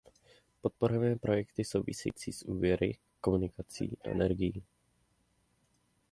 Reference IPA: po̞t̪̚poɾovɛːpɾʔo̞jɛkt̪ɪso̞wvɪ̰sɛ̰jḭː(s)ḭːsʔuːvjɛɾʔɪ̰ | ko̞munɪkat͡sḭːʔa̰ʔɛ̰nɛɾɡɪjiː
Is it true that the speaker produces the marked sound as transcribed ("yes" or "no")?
no